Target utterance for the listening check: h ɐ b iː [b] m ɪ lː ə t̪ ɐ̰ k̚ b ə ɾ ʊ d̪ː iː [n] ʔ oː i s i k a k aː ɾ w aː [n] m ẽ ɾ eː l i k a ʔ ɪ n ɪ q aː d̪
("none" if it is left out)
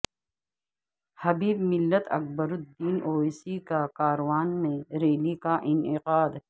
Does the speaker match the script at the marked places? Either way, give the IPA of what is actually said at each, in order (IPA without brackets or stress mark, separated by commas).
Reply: b, n, n